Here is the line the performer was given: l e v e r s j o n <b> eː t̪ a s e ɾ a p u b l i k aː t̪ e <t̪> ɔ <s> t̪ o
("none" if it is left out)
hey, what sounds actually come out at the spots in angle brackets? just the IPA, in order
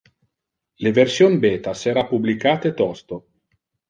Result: b, t̪, s

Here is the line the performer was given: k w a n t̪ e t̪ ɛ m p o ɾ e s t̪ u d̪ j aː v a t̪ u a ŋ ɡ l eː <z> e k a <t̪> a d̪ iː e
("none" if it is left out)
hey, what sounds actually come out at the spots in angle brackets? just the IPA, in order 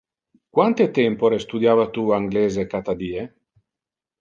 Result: z, t̪

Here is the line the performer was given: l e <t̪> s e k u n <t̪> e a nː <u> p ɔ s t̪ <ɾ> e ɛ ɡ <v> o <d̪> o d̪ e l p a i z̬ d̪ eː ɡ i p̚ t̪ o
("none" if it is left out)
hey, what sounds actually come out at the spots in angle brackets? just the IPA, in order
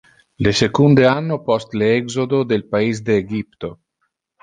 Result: none, d̪, o, l, z, d̪

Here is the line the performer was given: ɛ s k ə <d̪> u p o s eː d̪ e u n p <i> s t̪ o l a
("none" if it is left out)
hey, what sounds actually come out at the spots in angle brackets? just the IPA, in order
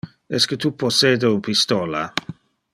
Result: t̪, i

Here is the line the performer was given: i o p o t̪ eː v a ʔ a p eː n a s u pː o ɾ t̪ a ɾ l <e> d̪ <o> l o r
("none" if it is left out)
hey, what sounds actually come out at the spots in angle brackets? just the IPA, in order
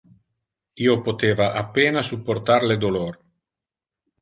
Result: e, o

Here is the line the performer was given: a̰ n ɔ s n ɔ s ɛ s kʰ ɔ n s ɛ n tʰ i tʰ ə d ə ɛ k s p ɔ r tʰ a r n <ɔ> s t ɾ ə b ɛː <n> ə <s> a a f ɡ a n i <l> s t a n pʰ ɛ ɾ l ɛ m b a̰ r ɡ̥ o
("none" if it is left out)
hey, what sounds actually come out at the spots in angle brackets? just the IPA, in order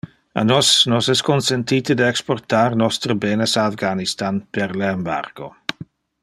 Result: ɔ, n, s, none

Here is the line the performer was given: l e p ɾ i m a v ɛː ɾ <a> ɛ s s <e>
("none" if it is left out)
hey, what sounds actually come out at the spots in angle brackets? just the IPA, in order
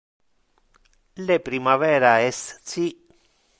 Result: a, i

